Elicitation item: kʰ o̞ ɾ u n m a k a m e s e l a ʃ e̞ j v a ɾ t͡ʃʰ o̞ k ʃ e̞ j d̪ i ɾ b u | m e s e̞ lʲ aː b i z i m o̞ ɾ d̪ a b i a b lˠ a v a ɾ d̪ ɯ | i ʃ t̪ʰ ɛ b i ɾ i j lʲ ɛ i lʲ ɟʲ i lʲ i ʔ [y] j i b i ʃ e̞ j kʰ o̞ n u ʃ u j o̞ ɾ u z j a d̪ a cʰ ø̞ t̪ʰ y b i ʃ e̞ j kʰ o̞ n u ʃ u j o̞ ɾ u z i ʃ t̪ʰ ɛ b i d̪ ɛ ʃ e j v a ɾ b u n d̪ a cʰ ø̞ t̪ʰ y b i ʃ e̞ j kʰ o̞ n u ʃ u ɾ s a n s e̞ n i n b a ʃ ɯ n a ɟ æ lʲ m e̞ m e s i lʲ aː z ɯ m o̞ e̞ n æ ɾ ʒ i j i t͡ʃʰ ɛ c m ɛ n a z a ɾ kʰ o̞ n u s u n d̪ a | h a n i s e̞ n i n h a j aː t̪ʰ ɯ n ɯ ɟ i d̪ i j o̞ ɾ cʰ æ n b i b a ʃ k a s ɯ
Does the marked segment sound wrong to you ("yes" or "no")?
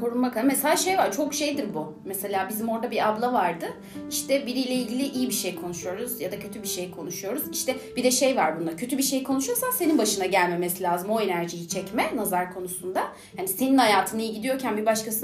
yes